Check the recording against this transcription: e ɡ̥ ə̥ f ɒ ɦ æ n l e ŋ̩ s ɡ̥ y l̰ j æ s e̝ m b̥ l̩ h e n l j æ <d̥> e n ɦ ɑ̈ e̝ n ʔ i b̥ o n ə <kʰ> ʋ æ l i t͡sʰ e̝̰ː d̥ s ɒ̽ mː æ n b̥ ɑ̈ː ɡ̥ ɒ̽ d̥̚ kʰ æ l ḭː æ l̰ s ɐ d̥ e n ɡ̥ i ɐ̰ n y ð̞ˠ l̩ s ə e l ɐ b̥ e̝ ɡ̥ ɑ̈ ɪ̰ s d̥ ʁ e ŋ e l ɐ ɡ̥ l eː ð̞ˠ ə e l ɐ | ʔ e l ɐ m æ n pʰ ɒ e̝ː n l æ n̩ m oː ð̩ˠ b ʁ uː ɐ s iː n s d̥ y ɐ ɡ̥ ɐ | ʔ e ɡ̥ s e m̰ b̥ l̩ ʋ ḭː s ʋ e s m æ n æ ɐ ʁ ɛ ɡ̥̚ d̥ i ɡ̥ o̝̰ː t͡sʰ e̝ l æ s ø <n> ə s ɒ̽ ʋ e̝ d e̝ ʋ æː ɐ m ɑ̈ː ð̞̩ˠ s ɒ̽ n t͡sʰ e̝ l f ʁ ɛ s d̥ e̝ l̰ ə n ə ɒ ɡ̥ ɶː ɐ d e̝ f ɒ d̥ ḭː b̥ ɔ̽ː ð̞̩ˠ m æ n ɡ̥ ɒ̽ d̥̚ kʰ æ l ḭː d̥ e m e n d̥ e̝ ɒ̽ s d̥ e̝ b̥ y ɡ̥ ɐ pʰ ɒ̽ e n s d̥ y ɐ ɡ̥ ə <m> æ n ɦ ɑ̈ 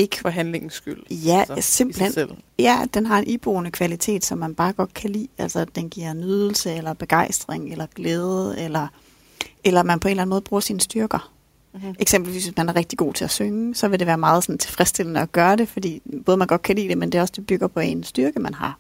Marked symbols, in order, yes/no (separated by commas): yes, yes, no, yes